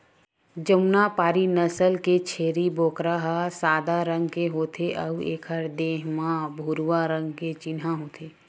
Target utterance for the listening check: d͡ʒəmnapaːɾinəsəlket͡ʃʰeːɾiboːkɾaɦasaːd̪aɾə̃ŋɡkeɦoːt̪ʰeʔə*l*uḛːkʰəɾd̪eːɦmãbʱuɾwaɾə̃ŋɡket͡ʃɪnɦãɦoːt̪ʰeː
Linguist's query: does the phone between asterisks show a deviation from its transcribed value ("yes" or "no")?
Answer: yes